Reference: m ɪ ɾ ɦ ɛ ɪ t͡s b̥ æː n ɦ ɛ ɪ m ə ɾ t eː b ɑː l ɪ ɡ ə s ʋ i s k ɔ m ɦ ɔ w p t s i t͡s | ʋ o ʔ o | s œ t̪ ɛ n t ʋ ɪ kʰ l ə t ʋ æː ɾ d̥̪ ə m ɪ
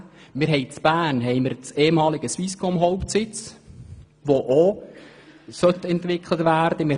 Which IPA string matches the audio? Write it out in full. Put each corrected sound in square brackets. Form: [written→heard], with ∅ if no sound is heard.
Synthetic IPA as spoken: m ɪ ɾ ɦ ɛ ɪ t͡s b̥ æː n ɦ ɛ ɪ m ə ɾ [t→t͡s] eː [b→m] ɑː l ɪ ɡ ə s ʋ i s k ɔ m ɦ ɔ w p t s [i→ɪ] t͡s | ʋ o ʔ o | s œ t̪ ɛ n t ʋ ɪ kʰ l ə t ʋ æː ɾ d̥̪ ə m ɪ